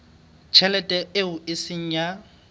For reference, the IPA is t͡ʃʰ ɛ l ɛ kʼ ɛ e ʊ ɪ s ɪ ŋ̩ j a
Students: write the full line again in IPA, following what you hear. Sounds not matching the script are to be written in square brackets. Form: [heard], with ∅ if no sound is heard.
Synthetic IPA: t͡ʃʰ ɛ l ɛ [tʼ] ɛ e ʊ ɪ s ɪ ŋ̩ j a